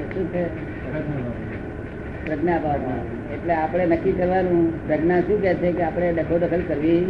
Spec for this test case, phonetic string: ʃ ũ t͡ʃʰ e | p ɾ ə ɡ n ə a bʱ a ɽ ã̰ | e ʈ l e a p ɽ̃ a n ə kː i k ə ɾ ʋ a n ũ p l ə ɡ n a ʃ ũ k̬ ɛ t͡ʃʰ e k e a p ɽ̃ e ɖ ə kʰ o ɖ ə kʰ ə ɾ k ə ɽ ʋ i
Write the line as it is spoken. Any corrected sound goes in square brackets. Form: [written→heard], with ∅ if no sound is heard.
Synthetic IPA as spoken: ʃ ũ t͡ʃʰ e | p ɾ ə ɡ n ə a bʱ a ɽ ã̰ | e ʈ l e a p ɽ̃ [a→e] n ə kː i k ə ɾ ʋ a n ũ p [l→ɾ] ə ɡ n a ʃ ũ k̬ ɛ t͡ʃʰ e k e a p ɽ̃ e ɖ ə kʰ o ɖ ə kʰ ə [ɾ→l] k ə [ɽ→ɾ] ʋ i